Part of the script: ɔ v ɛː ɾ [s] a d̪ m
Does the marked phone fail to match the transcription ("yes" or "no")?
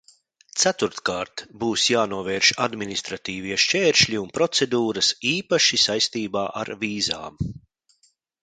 yes